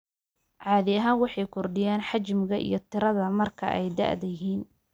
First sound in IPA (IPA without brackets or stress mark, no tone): ʕ